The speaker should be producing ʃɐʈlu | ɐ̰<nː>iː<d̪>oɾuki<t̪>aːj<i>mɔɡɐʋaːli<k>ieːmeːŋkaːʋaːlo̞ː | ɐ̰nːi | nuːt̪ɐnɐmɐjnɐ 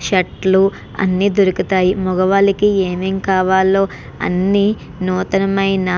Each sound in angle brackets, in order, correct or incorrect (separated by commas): correct, correct, correct, correct, correct